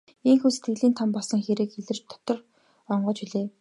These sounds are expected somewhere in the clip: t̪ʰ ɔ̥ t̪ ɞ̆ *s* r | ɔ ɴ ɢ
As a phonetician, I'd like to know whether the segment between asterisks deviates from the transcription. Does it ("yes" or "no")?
yes